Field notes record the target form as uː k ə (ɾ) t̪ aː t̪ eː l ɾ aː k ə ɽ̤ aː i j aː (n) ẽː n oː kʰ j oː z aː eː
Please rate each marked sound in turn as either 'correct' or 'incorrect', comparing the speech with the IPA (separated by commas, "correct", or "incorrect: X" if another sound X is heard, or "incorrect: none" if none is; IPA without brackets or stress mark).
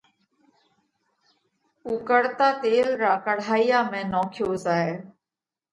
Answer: incorrect: ɽ, incorrect: m